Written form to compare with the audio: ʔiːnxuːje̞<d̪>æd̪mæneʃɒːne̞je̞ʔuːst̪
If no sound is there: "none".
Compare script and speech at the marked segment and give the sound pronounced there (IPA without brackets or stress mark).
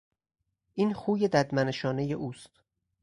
d̪